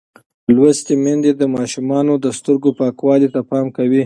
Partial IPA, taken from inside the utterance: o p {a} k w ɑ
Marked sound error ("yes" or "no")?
yes